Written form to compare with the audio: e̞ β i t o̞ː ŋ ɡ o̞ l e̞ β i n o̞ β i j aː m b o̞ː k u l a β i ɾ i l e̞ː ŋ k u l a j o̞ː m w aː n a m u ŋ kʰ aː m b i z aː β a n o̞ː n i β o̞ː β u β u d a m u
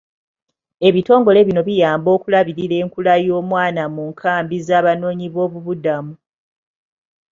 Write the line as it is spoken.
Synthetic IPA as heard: e̞ β i t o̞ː ŋ ɡ o̞ l e̞ β i n o̞ β i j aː m b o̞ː k u l a β i ɾ i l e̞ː ŋ k u l a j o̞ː m w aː n a m u ŋ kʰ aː m b i z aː β a n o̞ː ɲ i β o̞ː β u β u d a m u